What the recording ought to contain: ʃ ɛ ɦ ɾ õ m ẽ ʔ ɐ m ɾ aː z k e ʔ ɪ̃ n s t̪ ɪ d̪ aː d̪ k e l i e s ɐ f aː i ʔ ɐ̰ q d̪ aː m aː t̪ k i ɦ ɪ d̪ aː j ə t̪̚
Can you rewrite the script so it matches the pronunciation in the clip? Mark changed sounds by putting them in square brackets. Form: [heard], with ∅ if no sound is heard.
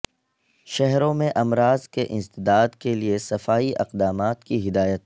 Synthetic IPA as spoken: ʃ ɛ ɦ ɾ õ m ẽ ʔ ɐ m ɾ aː z k e ʔ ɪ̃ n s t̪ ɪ d̪ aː d̪ k e l i e s ɐ f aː i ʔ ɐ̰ q d̪ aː m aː t̪ k i ɦ ɪ d̪ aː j ə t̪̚